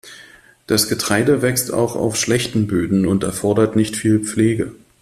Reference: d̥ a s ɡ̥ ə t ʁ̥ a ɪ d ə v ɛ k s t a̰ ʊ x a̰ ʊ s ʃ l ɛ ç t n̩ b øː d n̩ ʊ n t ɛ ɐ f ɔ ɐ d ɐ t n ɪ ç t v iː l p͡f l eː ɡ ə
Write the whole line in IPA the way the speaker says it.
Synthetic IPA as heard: d̥ a s ɡ̥ ə t ʁ̥ a ɪ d ə v ɛ k s t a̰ ʊ x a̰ ʊ f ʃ l ɛ ç t n̩ b øː d n̩ ʊ n t ɛ ɐ f ɔ ɐ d ɐ t n ɪ ç t f iː l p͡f l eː ɡ ə